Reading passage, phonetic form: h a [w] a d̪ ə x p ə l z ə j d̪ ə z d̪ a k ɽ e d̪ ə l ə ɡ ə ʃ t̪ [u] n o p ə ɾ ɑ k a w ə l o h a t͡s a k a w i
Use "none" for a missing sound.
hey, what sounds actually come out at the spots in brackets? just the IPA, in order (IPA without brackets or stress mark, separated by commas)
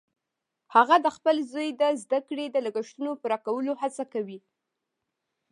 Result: ɣ, u